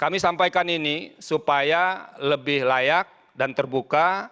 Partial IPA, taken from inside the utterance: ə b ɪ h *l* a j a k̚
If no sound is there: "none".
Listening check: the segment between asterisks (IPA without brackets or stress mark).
l